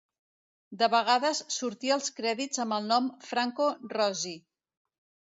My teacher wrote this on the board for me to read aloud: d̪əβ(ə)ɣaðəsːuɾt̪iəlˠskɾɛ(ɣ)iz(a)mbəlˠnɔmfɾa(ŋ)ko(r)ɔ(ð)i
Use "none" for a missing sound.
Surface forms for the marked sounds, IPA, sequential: ə, ð, ə, ŋ, r, z

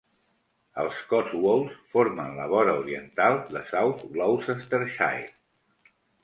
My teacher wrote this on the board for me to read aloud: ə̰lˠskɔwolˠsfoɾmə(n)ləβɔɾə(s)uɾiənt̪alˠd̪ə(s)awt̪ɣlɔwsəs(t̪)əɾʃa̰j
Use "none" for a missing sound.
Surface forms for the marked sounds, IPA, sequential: n, none, s, t̪

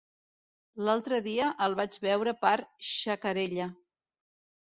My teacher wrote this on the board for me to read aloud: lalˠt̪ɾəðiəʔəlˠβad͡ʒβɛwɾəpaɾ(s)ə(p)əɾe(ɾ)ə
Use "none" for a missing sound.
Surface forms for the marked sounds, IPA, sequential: ʃ, k, ʎ

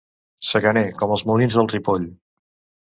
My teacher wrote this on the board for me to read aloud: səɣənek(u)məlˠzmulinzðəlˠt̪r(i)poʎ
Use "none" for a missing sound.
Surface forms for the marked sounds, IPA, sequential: ɔ, i

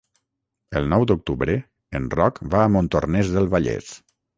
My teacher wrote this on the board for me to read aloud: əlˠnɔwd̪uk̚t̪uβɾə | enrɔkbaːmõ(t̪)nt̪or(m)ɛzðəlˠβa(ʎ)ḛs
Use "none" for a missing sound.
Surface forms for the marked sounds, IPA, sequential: none, n, ʎ

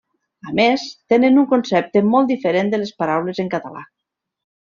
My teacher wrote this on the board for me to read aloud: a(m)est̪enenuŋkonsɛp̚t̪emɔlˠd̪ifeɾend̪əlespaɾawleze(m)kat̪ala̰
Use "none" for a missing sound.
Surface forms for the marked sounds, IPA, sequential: m, ŋ

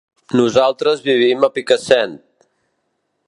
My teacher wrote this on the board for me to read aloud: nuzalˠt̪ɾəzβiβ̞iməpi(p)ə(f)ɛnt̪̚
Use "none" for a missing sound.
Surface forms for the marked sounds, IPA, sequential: k, s

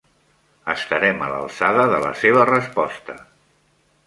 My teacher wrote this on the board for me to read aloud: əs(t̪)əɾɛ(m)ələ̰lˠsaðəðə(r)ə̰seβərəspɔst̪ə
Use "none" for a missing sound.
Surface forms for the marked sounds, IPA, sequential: t̪, m, l

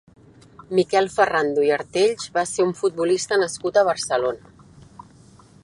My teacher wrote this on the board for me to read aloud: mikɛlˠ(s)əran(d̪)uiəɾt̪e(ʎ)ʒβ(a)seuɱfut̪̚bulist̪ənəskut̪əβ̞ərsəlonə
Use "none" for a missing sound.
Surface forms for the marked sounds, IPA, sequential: f, d̪, ʎ, a

